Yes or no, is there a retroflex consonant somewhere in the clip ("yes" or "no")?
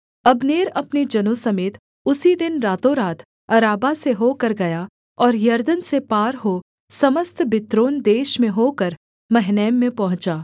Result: no